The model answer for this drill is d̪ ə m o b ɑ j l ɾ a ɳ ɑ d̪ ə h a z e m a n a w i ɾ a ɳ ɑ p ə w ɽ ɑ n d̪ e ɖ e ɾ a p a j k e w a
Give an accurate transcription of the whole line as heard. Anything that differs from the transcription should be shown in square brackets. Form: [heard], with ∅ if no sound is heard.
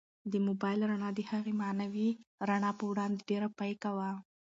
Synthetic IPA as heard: d̪ ə m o b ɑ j l ɾ a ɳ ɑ d̪ ə h a [ɣ] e m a n a w i ɾ a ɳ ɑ p ə w ɽ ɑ n d̪ e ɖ e ɾ a p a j k [a] w a